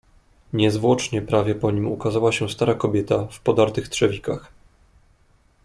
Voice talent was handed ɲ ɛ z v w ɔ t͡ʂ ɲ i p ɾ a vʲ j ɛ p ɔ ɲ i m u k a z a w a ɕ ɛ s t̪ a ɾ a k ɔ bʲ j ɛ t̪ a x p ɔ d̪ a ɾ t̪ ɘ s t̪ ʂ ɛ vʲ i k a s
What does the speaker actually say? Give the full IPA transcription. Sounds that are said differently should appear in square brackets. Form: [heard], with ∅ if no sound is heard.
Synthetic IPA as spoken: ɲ ɛ z v w ɔ t͡ʂ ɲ [ɛ] p ɾ a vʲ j ɛ p ɔ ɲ i m u k a z a w a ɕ ɛ s t̪ a ɾ a k ɔ bʲ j ɛ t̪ a [f] p ɔ d̪ a ɾ t̪ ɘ [x] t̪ ʂ ɛ vʲ i k a [x]